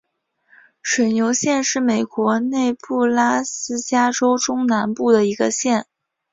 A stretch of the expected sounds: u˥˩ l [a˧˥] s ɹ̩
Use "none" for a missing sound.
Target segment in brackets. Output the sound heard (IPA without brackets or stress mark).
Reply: a˥